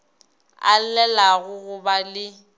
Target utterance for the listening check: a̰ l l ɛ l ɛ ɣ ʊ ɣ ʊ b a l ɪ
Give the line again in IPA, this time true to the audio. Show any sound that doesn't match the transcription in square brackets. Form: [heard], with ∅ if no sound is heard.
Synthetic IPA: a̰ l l ɛ l [a] ɣ ʊ ɣ ʊ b a l ɪ